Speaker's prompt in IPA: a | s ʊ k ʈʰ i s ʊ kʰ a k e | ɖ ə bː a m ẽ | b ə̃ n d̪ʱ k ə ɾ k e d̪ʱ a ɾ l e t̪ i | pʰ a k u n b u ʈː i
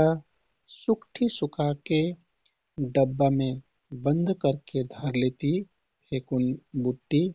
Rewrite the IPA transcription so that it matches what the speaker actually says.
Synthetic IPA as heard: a | s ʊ k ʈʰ i s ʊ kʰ a k e | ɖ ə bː a m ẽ | b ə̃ n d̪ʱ k ə ɾ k e d̪ʱ ə ɾ l e t̪ i | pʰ e k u n b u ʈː i

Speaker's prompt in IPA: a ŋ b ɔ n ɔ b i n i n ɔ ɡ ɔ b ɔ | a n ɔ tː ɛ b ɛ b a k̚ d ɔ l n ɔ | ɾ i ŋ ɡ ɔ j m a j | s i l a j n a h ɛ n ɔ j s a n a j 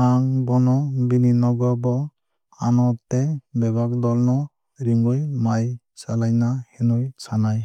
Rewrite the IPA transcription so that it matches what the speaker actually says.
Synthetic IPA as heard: a ŋ b ɔ n ɔ b i n i n ɔ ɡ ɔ b ɔ | a n ɔ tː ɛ b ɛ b a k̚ d ɔ l n ɔ | ɾ i ŋ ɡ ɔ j m a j | s a l a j n a h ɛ n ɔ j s a n a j

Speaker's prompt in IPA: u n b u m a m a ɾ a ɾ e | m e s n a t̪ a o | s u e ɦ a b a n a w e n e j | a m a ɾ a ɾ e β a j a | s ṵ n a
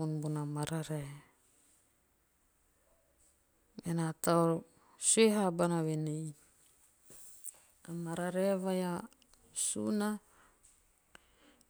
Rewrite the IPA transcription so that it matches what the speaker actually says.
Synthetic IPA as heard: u n b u n a m a ɾ a ɾ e | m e n a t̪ a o | s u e ɦ a b a n a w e n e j | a m a ɾ a ɾ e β a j a | s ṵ n a

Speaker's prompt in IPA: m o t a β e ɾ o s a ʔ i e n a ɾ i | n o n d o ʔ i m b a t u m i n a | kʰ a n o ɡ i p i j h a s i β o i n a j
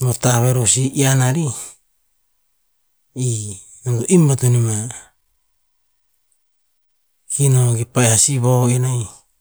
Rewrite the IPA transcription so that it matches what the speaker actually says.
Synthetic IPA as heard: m o t a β e ɾ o s i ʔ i a n a ɾ i | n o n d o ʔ i m b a t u n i m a | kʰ i n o ɡ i p a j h a s i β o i n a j

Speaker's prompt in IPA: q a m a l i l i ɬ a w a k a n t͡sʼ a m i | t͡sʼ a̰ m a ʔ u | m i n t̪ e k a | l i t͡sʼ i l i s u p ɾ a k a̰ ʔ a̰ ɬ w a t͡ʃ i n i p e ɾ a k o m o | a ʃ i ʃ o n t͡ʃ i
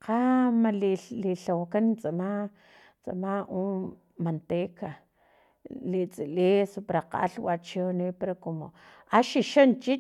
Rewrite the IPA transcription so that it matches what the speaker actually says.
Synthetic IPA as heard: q a m a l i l i ɬ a w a k a n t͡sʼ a m a | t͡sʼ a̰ m a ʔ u | m a n t̪ e k a | l i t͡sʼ i l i s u p ɾ a q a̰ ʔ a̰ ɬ w a t͡ʃ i n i p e ɾ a k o m o | a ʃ i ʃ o n t͡ʃ i

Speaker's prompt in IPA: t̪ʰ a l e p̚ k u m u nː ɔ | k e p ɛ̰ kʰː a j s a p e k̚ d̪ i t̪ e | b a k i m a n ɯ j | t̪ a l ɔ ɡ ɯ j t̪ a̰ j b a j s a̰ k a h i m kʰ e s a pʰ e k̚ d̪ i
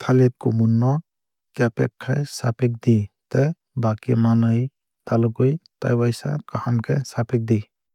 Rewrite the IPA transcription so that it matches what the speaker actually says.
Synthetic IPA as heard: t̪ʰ a l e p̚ k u m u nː ɔ | k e p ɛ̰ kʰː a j s a p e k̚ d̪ i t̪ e | b a k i m a n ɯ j | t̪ a l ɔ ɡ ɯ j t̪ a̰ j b a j s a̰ k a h a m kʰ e s a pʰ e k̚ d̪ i

